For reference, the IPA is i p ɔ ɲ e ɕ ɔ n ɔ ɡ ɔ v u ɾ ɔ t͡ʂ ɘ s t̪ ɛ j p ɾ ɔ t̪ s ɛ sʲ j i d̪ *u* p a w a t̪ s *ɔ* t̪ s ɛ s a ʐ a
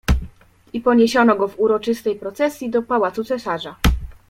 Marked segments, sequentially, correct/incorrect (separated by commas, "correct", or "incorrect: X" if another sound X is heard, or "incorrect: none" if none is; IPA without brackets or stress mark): incorrect: ɔ, incorrect: u